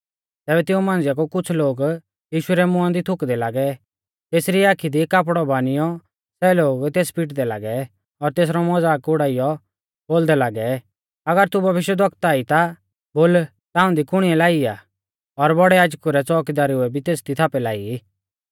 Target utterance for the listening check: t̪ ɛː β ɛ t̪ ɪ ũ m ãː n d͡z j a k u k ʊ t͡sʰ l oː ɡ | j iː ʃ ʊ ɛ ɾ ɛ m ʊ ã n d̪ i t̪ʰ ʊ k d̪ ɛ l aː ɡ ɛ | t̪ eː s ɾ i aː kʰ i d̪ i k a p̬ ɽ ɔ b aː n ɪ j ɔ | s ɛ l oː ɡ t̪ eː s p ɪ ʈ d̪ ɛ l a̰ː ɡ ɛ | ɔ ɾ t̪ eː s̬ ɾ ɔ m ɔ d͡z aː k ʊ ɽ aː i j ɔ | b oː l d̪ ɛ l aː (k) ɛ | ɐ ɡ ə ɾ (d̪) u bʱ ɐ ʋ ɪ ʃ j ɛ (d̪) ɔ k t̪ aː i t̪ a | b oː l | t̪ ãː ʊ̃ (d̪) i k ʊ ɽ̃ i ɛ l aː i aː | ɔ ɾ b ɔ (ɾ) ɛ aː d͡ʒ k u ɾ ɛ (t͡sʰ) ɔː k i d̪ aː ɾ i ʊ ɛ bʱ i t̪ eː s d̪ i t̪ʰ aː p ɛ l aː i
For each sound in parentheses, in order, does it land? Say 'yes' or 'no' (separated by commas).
no, no, yes, yes, no, no